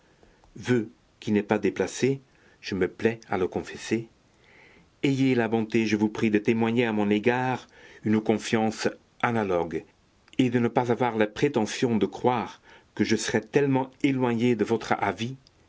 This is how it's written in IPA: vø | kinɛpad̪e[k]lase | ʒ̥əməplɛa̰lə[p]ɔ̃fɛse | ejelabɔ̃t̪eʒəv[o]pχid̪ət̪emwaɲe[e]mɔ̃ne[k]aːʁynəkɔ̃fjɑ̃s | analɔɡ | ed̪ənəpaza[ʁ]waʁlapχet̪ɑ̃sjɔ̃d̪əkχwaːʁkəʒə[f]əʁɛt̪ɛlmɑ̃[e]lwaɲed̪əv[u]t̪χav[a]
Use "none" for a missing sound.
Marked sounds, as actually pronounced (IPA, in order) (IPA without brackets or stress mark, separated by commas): p, k, u, a, ɡ, v, s, e, ɔ, i